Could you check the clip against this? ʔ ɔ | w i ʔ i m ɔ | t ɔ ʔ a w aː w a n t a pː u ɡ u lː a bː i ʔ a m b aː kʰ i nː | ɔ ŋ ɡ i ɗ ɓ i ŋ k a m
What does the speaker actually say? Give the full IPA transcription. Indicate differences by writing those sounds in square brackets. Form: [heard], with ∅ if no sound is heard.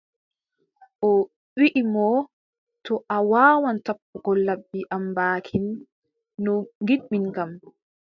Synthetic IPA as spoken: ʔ ɔ | w i ʔ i m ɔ | t ɔ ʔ a w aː w a n t a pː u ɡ [ɔ] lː a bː i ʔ a m b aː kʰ i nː | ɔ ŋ ɡ i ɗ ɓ i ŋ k a m